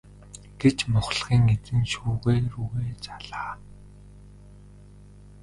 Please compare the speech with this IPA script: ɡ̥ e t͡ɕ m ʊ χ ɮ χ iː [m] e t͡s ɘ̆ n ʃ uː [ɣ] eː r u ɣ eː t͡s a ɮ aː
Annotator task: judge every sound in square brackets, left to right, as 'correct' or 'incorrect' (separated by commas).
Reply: incorrect, correct